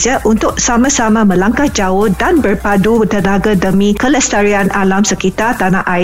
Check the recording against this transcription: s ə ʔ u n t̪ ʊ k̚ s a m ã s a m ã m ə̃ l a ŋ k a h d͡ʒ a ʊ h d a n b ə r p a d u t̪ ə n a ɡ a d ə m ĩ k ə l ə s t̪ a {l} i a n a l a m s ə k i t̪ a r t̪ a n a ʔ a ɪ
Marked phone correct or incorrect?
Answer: incorrect